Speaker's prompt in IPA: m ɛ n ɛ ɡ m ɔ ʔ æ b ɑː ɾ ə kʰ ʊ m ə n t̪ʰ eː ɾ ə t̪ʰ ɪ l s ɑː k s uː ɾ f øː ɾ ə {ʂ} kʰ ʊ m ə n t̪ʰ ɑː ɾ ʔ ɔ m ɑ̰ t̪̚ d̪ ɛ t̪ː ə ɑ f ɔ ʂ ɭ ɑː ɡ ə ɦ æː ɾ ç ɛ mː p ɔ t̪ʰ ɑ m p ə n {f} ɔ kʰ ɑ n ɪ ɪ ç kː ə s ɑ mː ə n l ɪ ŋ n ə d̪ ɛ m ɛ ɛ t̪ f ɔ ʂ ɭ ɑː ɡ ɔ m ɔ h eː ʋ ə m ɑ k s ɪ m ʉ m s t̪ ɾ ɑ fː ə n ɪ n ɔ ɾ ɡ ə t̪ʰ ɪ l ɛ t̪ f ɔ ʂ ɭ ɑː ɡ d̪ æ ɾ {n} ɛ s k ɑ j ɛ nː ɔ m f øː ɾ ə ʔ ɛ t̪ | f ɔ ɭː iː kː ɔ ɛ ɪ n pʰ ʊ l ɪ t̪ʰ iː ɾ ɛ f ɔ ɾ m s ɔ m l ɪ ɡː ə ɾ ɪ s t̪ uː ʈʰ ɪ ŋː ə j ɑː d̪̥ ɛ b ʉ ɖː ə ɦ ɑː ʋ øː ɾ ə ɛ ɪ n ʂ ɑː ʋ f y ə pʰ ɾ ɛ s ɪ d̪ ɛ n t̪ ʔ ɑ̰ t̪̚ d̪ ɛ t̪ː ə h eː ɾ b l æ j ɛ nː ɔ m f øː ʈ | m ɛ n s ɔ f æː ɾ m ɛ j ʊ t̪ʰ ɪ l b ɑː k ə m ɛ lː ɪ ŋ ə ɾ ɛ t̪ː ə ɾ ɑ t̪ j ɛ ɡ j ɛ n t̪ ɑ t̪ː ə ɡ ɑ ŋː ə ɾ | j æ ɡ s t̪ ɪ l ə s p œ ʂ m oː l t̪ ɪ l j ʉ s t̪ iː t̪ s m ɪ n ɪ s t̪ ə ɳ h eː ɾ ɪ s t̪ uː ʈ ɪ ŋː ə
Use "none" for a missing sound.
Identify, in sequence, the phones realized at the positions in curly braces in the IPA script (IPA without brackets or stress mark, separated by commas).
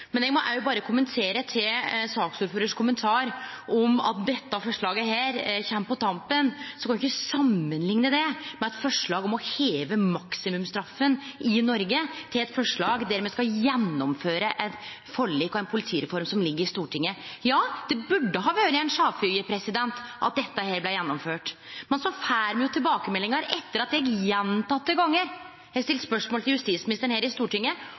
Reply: ʂ, s, m